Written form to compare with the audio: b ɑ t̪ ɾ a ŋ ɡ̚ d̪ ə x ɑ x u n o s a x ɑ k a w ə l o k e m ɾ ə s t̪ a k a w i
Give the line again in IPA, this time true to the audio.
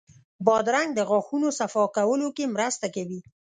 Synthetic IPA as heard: b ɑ d̪ ɾ a ŋ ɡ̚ d̪ ə ɣ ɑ x u n o s a f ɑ k a w ə l o k e m ɾ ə s t̪ a k a w i